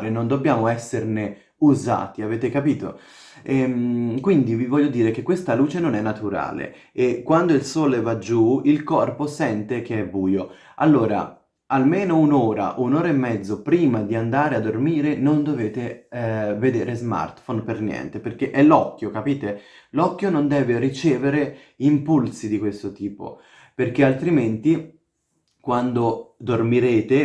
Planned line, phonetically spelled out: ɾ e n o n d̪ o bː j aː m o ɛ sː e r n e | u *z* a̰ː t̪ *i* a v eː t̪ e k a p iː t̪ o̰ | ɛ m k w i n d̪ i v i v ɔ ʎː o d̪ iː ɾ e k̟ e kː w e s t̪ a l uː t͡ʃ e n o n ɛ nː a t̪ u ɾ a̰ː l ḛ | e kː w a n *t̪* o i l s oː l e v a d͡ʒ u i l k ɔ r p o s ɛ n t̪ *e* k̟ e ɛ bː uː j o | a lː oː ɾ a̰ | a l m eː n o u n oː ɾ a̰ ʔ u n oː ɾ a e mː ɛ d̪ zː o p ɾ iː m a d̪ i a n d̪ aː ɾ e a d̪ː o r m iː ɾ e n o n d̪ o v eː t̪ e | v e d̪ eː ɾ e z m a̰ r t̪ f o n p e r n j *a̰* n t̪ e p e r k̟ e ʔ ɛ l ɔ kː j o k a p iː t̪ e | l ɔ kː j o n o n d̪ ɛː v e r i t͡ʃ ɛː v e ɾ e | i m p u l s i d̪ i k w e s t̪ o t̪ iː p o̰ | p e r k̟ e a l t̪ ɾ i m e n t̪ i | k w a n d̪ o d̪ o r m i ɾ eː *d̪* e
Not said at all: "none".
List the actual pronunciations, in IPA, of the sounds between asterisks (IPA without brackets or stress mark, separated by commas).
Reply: z, i, d̪, e, ɛ̰, t̪